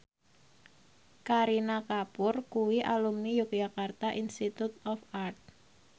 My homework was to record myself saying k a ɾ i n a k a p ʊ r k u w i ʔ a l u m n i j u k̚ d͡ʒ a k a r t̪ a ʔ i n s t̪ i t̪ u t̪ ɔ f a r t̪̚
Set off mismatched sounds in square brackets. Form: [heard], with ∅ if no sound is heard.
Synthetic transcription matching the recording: k a ɾ i n a k a p ʊ r k u w i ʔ a l u m n i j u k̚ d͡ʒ a k a r t̪ a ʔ i n s t̪ i t̪ u t̪ ɔ f a r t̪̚